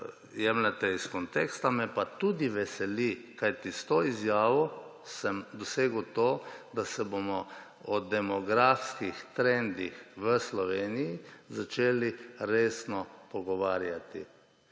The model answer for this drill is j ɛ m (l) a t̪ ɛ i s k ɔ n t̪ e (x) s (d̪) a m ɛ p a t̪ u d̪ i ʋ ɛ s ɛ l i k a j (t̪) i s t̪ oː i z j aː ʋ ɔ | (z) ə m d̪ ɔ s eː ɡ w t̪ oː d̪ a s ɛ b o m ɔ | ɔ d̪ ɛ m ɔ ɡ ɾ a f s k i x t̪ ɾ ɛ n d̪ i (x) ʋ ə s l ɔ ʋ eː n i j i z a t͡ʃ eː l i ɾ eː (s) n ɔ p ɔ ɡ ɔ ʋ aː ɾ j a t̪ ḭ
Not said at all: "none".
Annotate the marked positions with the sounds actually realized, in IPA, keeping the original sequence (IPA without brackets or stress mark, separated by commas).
l, k, t̪, t̪, s, x, s